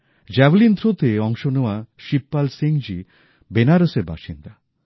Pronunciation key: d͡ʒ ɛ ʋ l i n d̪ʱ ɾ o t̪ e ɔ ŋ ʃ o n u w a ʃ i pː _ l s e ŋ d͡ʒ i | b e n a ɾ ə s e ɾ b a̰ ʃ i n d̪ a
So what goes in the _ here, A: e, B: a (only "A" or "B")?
B